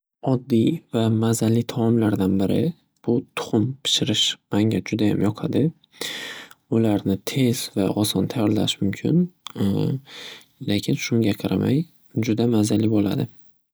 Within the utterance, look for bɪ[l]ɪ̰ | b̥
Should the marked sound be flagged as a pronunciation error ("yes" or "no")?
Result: yes